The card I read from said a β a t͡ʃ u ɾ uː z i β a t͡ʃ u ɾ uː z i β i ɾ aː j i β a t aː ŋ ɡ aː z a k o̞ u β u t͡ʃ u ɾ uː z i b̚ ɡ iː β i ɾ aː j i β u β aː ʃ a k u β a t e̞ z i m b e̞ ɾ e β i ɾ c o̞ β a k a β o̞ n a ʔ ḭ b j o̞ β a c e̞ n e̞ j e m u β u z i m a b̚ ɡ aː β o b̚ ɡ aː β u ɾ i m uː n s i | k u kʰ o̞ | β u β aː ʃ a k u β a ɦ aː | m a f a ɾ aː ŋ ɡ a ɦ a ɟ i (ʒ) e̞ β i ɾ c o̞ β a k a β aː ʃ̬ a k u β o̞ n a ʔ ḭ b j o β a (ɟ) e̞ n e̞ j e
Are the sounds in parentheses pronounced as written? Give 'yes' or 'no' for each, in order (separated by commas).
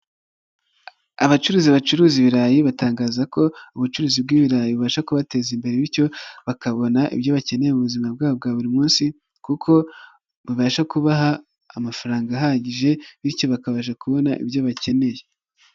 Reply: yes, no